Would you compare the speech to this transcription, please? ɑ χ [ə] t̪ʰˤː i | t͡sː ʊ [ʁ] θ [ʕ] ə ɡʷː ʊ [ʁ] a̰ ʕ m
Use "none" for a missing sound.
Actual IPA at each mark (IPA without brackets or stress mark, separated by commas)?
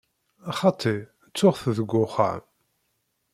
ɑ, ʁ, ð, χ